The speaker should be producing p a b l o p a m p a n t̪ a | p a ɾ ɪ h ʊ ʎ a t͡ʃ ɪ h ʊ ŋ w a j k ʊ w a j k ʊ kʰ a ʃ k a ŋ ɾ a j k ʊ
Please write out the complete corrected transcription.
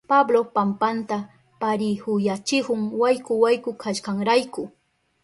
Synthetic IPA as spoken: p a b l o p a m p a n t̪ a | p a ɾ ɪ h ʊ j a t͡ʃ ɪ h ʊ ŋ w a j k ʊ w a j k ʊ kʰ a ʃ k a ŋ ɾ a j k ʊ